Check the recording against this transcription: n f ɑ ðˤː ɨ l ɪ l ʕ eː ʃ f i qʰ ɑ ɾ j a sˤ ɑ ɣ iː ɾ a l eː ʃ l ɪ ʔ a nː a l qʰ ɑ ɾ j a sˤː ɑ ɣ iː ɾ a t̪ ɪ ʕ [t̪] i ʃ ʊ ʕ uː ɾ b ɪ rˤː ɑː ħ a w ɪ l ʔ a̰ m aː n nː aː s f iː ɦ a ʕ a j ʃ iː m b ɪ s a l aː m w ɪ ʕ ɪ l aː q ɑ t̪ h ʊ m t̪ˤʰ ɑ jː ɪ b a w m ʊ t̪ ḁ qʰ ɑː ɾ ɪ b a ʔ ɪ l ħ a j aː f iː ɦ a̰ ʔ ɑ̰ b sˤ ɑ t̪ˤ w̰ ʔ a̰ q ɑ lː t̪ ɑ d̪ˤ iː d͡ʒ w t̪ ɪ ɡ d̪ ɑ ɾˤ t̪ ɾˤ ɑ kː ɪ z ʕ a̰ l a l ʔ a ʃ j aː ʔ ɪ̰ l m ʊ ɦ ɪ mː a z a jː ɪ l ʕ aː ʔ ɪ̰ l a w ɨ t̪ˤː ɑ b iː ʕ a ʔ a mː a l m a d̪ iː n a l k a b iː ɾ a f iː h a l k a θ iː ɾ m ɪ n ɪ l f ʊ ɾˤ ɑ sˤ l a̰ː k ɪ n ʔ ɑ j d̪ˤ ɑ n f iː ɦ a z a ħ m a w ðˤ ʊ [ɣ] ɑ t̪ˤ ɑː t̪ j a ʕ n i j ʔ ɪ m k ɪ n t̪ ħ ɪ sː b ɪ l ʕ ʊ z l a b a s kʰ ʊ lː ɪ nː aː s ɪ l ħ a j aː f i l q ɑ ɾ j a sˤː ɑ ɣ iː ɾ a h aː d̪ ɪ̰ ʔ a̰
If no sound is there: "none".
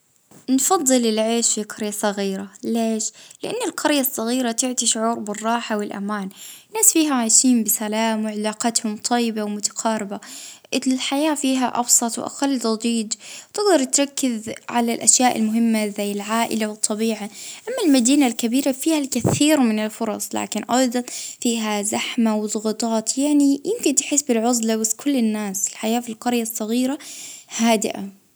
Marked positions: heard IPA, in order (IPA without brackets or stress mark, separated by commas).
t̪, ɣ